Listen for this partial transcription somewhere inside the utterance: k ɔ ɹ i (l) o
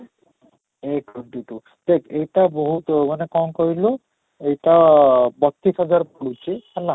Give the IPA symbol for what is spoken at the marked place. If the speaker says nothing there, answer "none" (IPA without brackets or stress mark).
l